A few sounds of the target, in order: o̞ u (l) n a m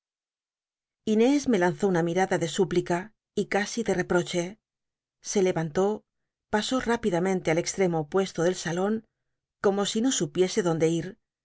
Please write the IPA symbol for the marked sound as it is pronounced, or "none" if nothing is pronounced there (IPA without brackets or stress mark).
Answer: none